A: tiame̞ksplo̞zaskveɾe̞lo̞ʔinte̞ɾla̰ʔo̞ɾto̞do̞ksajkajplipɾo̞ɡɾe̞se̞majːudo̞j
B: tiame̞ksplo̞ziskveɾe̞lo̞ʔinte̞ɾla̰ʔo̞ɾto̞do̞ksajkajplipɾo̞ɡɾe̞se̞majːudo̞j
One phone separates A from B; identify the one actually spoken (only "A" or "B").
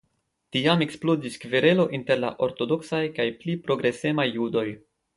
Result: B